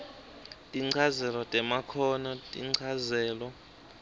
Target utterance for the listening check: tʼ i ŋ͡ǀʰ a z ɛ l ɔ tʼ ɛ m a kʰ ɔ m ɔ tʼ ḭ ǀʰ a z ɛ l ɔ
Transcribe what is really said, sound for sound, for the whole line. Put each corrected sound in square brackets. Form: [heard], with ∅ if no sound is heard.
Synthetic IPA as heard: tʼ i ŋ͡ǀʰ a z ɛ l ɔ tʼ ɛ m a kʰ ɔ [n] ɔ tʼ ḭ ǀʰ a z [ɛː] l ɔ